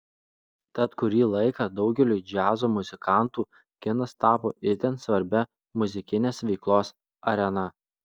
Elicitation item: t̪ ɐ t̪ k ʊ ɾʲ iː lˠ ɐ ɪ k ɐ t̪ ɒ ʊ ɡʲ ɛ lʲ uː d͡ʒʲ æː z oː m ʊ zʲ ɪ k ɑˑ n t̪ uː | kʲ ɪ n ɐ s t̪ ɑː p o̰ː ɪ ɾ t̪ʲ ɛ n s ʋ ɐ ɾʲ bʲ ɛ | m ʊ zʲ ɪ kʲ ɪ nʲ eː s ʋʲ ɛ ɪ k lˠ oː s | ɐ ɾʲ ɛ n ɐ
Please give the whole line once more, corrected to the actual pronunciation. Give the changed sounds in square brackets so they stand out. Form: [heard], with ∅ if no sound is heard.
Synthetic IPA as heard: t̪ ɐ t̪ k ʊ ɾʲ iː lˠ ɐ ɪ k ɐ [d̪] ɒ ʊ ɡʲ ɛ lʲ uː d͡ʒʲ æː z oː m ʊ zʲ ɪ k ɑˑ n t̪ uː | kʲ ɪ n ɐ s t̪ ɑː p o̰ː ɪ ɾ t̪ʲ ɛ n s ʋ ɐ ɾʲ bʲ ɛ | m ʊ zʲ ɪ kʲ ɪ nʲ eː s ʋʲ ɛ ɪ k lˠ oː s | ɐ ɾʲ ɛ n ɐ